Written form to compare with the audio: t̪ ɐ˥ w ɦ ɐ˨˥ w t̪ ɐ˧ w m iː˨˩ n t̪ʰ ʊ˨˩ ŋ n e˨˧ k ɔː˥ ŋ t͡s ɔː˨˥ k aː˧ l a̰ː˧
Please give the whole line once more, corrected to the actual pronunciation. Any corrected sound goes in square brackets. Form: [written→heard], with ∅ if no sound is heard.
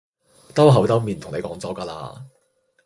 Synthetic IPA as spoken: t̪ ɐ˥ w ɦ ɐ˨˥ w t̪ [ɐ˧→ɐ˥] w m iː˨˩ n t̪ʰ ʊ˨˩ ŋ n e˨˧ k [ɔː˥→ɔː˨˥] ŋ t͡s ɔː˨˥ k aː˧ l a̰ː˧